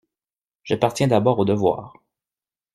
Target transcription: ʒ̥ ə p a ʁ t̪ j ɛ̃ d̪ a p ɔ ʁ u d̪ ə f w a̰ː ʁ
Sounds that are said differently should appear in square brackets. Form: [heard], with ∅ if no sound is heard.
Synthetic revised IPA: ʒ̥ [a] p a ʁ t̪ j ɛ̃ d̪ a [b] ɔ ʁ [o] d̪ ə [v] w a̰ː ʁ